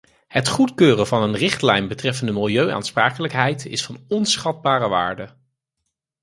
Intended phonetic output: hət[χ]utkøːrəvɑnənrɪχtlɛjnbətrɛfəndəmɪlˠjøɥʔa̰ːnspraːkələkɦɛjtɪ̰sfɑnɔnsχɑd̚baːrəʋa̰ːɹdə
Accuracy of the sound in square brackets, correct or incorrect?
correct